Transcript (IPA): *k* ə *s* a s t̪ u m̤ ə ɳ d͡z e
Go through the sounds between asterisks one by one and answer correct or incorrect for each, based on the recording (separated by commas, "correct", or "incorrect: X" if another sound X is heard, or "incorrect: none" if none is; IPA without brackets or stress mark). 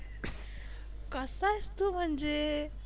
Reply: correct, correct